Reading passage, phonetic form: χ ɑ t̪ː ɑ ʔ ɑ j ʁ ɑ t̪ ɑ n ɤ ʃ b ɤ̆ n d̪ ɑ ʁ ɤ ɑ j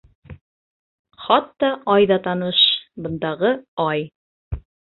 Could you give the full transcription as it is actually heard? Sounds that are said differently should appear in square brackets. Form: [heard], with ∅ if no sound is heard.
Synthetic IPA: χ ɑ t̪ː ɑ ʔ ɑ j [ð] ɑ t̪ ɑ n ɤ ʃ b ɤ̆ n d̪ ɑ ʁ ɤ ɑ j